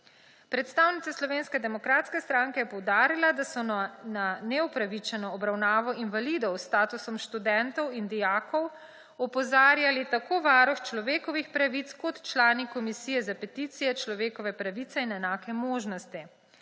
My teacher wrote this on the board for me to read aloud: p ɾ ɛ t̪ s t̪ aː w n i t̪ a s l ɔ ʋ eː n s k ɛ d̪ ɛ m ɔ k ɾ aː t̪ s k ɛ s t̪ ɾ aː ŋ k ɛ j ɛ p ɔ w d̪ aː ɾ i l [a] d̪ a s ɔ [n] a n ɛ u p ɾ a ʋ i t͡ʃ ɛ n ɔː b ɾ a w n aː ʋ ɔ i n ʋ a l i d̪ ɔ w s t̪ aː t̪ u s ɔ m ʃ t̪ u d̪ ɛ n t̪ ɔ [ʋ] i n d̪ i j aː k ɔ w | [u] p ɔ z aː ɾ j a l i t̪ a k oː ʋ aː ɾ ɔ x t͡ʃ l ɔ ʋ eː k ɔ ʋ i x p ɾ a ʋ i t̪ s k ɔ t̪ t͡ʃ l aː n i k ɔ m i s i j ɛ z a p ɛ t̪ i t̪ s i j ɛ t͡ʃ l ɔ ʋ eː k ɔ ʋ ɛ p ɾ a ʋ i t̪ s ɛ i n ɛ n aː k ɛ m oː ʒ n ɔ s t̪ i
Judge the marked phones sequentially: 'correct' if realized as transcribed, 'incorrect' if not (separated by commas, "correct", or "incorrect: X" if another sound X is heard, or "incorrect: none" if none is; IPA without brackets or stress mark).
correct, correct, incorrect: w, incorrect: ɔ